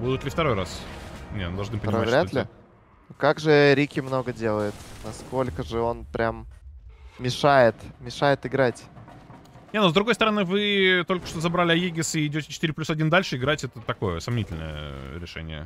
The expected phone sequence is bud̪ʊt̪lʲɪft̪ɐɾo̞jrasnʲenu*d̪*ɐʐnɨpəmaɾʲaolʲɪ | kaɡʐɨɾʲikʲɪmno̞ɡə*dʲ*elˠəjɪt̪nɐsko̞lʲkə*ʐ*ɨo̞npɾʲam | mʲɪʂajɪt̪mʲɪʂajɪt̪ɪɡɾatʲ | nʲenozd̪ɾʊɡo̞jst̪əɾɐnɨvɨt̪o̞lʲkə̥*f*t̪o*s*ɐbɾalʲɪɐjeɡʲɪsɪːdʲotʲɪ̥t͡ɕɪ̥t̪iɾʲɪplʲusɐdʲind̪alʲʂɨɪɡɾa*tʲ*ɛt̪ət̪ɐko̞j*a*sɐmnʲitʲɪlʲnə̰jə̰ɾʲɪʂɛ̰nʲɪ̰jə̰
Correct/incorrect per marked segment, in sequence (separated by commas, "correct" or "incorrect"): correct, correct, correct, incorrect, incorrect, correct, incorrect